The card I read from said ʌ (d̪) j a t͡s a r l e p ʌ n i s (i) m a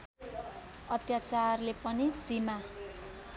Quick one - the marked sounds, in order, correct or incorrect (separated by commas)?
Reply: incorrect, correct